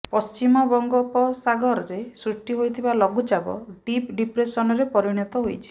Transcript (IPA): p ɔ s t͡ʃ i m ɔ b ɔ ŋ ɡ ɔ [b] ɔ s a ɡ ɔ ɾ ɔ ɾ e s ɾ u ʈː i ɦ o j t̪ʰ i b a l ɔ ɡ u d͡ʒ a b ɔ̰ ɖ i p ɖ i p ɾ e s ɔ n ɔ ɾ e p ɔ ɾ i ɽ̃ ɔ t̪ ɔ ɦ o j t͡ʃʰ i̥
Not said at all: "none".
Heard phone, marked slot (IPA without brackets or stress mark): p